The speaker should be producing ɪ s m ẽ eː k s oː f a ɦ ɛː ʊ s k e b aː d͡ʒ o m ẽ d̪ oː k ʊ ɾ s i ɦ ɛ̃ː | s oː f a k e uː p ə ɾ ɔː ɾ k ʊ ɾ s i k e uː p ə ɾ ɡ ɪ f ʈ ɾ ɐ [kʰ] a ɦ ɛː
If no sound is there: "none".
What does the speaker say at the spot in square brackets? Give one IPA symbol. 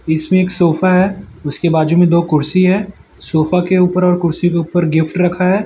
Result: kʰ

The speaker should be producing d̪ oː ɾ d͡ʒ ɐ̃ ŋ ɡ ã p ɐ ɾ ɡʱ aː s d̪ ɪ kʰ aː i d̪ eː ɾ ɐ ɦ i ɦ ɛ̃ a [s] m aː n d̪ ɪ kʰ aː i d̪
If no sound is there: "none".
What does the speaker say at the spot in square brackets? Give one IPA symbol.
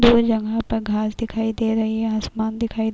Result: s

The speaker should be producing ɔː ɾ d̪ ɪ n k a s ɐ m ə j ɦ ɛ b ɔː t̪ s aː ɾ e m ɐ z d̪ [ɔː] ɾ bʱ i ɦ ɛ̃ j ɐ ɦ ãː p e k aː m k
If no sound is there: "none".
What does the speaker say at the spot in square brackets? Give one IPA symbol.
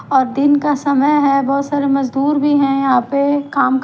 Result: uː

